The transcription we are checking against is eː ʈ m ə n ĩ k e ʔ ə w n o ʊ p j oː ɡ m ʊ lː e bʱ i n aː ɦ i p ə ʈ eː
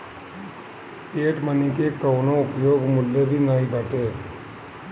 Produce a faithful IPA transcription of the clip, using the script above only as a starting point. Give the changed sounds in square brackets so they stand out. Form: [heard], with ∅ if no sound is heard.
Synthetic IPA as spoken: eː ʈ m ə n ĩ k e [k] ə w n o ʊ p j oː ɡ m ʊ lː e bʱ i n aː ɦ i [b] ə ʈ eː

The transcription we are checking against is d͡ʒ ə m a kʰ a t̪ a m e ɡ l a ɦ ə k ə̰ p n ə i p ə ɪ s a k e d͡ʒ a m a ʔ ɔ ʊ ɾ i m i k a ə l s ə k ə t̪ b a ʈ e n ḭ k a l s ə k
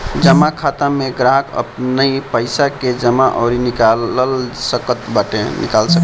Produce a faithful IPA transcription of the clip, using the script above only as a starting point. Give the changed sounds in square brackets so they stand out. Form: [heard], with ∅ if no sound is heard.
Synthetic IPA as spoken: d͡ʒ ə m a kʰ a t̪ a m e ɡ [ɾ] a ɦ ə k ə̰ p n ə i p ə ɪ s a k e d͡ʒ [ə] m a ʔ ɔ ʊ ɾ i [n] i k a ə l s ə k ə t̪ b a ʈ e n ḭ k a l s ə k

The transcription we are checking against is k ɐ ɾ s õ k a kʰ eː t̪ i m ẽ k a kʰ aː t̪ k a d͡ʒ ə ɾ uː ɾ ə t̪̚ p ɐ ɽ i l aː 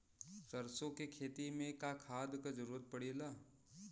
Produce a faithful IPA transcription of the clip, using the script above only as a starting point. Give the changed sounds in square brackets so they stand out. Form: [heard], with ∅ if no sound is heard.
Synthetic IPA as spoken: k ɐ ɾ s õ k [e] kʰ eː t̪ i m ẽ k a kʰ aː [d̪] k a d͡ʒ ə ɾ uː ɾ ə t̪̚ p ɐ ɽ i l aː

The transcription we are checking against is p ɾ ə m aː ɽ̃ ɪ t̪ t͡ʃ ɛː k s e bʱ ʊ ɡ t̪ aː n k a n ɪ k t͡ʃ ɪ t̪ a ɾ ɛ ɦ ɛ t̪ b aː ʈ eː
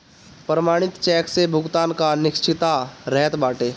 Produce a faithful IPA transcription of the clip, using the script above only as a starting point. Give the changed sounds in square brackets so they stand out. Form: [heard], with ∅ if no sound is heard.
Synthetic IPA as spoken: p ɾ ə m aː ɽ̃ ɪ t̪ t͡ʃ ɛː k s e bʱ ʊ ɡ t̪ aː n k a n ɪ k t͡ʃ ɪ t̪ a ɾ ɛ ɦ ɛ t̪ b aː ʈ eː

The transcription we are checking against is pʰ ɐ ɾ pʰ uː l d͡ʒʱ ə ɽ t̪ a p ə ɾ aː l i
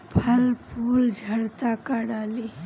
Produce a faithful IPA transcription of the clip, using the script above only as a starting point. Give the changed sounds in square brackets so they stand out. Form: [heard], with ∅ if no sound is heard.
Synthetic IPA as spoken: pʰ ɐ [l] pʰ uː l d͡ʒʱ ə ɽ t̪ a [k] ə [ɽ] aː l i

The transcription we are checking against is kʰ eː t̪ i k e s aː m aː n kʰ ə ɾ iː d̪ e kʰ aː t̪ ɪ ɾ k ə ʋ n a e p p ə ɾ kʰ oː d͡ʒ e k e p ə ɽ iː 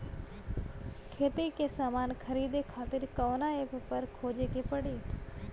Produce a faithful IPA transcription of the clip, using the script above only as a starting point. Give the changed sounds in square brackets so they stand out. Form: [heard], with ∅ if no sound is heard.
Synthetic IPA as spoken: kʰ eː t̪ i k e s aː m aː n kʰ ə ɾ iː d̪ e kʰ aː t̪ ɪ ɾ k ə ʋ n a e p p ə ɾ kʰ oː d͡ʒ e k e p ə ɽ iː

